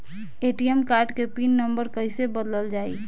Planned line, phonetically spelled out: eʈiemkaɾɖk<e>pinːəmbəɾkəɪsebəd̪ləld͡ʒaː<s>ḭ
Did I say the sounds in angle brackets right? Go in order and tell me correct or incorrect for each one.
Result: correct, incorrect

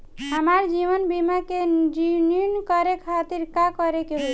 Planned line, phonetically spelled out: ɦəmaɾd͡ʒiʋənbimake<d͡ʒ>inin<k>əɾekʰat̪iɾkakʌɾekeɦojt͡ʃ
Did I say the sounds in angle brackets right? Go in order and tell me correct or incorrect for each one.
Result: correct, correct

